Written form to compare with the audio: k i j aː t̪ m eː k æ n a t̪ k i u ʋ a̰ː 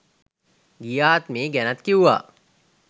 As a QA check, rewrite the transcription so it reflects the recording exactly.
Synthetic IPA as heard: ɡ i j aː t̪ m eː ɡ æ n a t̪ k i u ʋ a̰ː